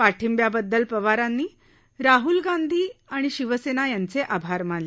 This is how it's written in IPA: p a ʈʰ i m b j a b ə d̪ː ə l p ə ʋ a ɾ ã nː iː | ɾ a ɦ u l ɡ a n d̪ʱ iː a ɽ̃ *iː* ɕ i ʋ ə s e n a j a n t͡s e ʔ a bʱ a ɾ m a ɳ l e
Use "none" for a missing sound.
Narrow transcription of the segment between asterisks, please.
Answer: i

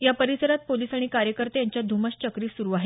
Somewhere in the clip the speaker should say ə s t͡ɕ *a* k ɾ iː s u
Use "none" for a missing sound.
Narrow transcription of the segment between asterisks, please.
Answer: ə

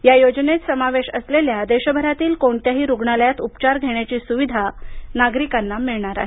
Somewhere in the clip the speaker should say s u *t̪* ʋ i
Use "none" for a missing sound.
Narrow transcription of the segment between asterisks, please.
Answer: none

